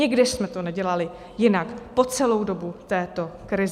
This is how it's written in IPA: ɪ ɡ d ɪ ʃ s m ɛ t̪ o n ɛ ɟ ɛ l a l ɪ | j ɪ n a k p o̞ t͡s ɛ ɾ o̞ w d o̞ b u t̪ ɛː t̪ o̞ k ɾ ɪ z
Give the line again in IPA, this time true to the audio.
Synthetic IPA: ɪ ɡ d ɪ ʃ s m ɛ t̪ o n ɛ ɟ ɛ l a l ɪ | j ɪ n a k p o̞ t͡s ɛ l o̞ w d o̞ b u t̪ ɛː t̪ o̞ k ɾ ɪ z